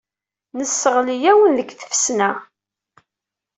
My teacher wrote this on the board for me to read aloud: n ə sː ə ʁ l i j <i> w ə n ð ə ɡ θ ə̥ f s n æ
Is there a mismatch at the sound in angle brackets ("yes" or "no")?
yes